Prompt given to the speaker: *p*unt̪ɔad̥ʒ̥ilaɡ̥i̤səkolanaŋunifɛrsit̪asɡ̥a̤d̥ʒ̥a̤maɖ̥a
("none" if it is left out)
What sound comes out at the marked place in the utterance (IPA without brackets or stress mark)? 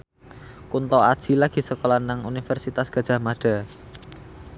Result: k